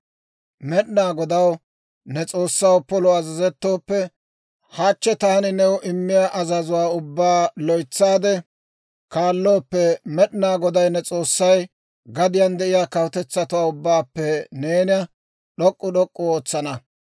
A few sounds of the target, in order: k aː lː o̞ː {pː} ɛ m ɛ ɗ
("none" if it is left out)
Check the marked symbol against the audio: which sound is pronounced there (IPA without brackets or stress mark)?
pː